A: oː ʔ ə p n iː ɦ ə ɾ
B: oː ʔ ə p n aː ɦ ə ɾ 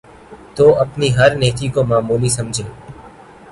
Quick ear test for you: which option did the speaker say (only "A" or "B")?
A